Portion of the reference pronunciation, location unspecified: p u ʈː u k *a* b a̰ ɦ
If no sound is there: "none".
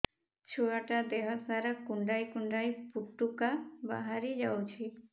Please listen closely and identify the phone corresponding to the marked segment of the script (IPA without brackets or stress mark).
a